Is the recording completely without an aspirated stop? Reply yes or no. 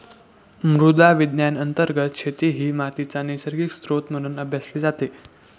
yes